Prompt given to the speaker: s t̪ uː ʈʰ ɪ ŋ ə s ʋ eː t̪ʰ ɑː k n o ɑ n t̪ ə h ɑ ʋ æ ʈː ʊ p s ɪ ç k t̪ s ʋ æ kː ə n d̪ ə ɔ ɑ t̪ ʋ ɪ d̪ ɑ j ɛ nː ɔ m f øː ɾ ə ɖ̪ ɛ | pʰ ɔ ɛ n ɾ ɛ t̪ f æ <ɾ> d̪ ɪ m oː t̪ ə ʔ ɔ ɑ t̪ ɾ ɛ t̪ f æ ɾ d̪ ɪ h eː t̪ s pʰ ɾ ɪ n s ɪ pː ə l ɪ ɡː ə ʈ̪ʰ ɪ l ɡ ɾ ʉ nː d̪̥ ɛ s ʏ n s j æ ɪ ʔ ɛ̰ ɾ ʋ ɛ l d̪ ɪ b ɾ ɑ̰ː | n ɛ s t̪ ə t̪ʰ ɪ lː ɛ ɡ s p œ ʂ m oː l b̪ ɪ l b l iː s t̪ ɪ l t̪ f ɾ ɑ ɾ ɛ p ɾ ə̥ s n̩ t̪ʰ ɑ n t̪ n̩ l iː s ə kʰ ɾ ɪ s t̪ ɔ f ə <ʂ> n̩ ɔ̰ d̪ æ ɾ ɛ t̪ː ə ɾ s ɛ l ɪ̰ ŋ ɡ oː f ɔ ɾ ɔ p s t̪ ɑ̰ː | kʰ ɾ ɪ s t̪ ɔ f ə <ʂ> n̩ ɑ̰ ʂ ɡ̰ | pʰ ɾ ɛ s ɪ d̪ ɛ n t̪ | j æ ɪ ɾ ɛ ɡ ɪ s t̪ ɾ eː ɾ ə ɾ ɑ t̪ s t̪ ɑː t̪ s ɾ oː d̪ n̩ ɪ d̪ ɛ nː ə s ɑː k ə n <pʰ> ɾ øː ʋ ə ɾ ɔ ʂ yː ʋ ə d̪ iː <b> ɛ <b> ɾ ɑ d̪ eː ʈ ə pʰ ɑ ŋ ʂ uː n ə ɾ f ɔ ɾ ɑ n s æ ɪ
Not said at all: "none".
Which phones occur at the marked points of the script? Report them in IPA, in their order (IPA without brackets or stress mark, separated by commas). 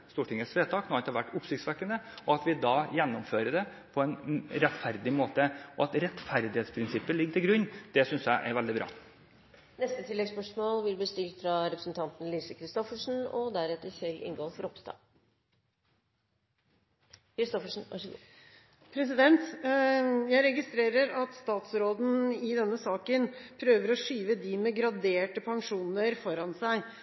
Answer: ɾ, ʂ, ʂ, pʰ, m, ɡ